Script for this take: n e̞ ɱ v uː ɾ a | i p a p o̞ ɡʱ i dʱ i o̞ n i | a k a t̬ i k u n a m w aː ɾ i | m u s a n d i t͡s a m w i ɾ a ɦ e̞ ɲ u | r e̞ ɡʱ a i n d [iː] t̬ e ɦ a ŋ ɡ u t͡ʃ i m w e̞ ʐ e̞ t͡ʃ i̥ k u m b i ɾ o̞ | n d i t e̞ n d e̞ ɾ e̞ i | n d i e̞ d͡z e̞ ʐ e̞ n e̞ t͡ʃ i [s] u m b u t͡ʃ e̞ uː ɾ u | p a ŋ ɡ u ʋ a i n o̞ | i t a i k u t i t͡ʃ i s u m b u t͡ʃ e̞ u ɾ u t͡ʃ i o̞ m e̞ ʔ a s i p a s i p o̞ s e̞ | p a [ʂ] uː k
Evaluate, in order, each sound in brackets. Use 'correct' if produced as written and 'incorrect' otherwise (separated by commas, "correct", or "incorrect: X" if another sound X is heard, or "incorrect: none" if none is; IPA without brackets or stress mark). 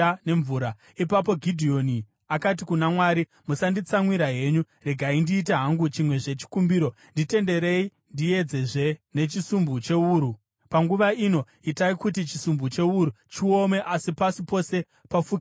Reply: correct, correct, incorrect: f